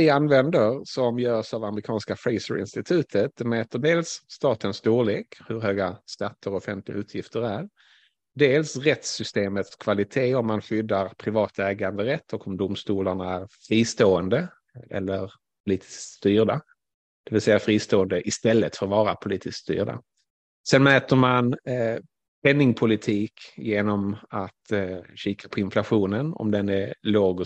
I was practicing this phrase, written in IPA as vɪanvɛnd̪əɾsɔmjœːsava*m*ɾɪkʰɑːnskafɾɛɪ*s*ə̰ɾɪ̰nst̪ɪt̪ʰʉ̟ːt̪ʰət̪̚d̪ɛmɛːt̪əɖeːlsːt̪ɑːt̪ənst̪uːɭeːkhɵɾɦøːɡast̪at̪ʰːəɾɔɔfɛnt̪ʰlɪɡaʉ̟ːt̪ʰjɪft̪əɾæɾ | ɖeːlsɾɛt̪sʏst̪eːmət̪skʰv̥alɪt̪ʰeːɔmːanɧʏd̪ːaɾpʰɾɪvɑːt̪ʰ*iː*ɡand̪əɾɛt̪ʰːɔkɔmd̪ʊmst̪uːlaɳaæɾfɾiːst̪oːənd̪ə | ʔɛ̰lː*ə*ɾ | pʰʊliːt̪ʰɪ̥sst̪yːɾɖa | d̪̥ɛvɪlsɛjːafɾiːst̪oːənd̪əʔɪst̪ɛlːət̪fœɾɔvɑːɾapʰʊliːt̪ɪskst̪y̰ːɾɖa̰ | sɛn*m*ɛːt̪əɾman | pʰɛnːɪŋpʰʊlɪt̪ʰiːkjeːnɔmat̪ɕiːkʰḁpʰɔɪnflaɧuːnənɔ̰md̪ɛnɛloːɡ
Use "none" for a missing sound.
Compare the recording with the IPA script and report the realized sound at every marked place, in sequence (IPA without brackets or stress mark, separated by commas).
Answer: m, s, ɛː, ə, m